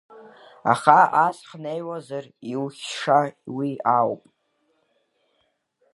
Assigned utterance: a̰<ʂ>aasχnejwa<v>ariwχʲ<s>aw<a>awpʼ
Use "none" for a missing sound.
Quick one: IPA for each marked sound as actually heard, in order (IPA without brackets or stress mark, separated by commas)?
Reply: χ, z, ʂ, i